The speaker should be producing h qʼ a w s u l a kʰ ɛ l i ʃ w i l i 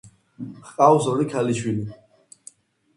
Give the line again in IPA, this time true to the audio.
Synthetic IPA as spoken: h qʼ a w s ɔ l i kʰ a l i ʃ w i l i